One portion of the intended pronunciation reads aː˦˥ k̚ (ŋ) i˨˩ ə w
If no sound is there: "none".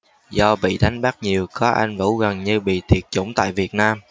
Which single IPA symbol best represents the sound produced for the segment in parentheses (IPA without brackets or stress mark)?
ɲ